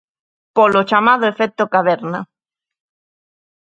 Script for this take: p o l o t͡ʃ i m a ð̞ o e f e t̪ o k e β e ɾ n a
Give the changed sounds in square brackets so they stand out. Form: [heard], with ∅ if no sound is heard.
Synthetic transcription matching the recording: p o l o t͡ʃ [a] m a ð̞ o e f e t̪ o k [a] β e ɾ n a